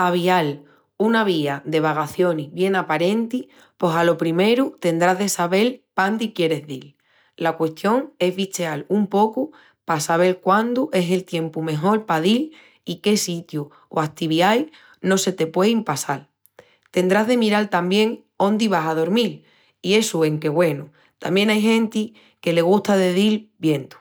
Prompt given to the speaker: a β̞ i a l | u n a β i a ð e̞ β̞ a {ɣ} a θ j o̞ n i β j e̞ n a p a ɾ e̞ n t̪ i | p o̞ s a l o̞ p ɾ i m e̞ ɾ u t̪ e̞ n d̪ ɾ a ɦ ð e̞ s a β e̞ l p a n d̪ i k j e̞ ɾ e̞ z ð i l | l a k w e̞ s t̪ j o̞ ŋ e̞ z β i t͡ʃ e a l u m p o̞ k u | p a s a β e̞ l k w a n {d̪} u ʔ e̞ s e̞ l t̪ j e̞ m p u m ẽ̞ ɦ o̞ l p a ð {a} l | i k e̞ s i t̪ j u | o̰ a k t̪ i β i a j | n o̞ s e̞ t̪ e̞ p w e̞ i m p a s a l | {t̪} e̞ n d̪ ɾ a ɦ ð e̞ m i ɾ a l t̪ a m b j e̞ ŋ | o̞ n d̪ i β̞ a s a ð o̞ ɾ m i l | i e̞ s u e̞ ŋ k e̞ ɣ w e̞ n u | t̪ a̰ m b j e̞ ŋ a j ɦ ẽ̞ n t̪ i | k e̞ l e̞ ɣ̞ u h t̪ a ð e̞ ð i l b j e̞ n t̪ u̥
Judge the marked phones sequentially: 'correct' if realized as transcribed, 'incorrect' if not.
correct, correct, incorrect: i, correct

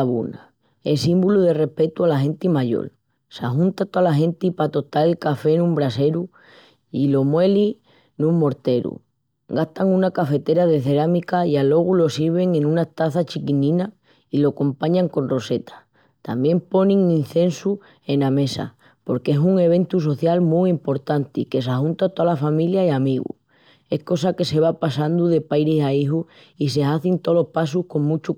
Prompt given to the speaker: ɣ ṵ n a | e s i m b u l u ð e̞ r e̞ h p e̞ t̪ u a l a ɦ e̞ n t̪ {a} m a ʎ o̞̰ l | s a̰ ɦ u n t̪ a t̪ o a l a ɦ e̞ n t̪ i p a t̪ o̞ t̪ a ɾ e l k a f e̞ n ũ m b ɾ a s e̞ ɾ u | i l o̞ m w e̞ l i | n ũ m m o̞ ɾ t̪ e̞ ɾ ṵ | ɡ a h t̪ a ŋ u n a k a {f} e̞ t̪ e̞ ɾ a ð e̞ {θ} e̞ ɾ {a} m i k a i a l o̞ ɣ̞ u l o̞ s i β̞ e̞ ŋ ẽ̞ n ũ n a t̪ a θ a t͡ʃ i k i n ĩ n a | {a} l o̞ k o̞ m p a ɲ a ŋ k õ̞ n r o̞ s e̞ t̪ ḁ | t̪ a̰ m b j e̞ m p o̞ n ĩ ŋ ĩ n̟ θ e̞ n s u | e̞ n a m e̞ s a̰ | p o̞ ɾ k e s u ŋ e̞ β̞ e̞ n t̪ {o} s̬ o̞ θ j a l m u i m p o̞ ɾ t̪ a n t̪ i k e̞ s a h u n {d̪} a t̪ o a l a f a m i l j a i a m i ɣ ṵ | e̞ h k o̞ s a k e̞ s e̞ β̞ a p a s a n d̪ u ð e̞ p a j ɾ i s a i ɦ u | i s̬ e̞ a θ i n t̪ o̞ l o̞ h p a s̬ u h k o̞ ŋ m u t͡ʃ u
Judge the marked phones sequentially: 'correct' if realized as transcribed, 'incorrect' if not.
incorrect: i, correct, correct, correct, incorrect: i, incorrect: u, incorrect: t̪

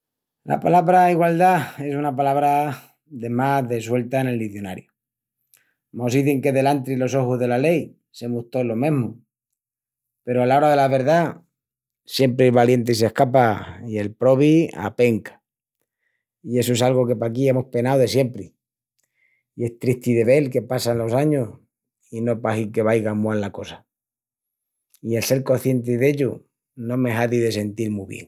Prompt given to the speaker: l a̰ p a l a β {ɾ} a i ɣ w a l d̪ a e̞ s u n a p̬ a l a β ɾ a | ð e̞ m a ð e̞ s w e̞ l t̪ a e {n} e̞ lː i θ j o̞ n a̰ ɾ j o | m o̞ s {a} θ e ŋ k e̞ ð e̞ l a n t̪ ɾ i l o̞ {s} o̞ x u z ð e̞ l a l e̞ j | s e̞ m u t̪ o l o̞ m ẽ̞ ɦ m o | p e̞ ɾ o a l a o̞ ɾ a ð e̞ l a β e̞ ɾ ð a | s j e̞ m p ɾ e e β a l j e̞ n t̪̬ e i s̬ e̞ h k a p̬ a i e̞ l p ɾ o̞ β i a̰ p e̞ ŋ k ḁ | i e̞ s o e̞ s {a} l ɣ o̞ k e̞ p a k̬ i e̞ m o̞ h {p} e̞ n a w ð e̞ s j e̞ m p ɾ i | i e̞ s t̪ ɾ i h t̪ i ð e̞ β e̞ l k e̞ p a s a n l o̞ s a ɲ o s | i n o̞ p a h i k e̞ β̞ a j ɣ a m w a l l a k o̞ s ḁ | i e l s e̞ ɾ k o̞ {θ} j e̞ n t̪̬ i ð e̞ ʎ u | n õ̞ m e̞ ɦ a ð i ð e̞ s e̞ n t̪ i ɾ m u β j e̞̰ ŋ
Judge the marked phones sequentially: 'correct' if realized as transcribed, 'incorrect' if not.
correct, correct, incorrect: i, correct, correct, correct, correct

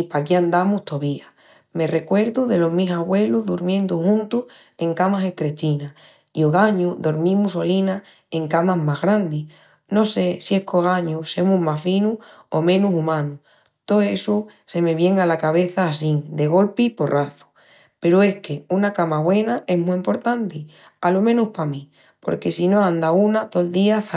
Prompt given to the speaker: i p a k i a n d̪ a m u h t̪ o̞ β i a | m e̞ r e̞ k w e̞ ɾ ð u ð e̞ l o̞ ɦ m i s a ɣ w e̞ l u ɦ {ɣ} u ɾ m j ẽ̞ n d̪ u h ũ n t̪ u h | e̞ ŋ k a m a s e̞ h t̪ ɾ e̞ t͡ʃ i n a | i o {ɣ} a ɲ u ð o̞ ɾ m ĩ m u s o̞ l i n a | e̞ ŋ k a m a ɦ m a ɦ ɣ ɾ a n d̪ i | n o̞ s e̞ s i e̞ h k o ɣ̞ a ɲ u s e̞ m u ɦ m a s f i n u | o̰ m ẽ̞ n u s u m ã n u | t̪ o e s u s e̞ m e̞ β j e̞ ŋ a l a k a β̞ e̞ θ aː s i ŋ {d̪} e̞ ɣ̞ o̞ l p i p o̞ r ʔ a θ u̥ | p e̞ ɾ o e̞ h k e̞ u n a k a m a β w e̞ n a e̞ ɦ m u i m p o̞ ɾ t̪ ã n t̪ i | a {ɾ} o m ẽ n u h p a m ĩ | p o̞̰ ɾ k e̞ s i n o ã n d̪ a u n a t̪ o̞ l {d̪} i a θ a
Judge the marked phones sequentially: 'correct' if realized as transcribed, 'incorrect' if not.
incorrect: ð, correct, correct, incorrect: l, correct

